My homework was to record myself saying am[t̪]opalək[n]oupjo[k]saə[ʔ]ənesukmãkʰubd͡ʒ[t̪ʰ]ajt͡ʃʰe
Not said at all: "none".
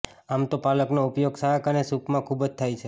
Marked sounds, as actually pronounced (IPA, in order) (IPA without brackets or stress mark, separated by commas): t̪, n, ɡ, k, t̪ʰ